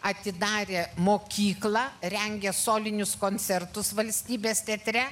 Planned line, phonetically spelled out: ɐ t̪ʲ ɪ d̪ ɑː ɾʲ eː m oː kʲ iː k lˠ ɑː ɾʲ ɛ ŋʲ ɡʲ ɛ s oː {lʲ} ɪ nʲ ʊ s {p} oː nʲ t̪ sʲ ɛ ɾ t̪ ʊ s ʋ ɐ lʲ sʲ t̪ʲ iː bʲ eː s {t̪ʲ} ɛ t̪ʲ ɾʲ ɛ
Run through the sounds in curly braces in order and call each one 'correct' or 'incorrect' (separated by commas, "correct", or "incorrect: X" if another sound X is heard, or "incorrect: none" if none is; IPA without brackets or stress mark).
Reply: correct, incorrect: k, correct